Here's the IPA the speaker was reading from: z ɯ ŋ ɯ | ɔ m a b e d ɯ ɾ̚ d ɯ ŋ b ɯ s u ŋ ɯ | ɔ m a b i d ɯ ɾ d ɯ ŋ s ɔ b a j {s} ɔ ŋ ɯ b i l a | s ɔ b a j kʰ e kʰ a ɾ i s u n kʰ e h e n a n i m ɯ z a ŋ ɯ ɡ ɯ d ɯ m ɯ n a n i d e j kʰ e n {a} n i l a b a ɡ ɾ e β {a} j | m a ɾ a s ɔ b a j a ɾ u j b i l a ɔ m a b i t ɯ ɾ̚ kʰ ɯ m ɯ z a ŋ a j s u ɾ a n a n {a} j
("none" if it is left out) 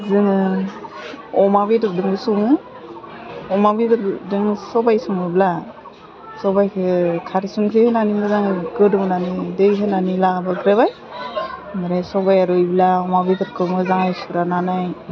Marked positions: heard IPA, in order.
s, a, a, a

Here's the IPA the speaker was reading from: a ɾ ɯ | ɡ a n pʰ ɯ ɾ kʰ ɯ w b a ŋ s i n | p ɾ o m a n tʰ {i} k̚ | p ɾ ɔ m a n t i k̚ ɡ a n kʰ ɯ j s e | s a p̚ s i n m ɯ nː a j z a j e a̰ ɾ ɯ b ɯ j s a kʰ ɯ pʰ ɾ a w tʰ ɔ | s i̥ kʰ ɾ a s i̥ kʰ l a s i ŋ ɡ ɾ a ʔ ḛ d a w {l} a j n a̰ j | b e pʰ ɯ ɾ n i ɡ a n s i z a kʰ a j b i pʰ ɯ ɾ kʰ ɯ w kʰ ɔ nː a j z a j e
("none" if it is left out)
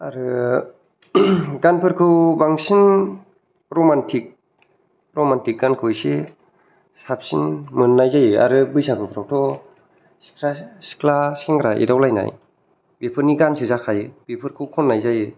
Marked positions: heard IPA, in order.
i, l

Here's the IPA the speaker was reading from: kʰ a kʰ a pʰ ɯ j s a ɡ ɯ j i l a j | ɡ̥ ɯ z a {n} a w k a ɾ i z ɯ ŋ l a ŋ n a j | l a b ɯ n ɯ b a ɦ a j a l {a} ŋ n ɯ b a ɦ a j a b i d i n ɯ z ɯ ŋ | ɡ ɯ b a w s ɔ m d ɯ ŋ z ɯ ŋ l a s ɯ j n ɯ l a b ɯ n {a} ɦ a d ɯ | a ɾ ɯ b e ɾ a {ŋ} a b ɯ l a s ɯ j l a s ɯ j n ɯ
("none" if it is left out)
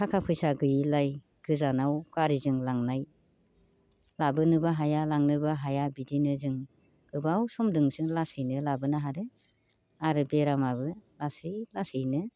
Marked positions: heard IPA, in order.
n, a, a, m

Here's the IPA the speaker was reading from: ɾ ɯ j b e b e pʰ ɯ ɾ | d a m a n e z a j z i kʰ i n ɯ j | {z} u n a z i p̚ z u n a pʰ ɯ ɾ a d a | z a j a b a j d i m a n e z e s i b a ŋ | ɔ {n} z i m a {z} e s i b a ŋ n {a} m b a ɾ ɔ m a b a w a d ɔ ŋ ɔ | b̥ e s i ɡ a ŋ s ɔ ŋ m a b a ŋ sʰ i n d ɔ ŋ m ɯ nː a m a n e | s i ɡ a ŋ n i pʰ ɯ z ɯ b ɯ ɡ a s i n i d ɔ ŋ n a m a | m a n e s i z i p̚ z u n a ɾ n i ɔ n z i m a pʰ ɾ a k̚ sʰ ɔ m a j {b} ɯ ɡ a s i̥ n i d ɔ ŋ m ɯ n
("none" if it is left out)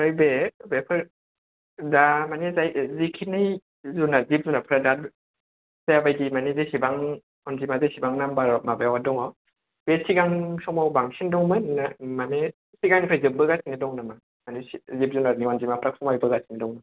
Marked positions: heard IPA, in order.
z, n, z, a, b

